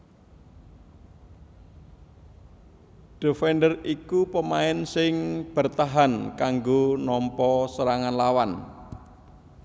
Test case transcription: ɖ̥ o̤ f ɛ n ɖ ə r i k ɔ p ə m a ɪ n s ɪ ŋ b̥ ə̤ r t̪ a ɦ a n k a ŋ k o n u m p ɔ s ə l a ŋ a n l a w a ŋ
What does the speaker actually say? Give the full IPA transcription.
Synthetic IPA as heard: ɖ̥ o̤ f ɛ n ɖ ə r i k u p ə m a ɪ n s ɪ ŋ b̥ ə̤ r t̪ a ɦ a n k a ŋ ɡ o n ɔ m p ɔ s ə ɾ a ŋ a n l a w a n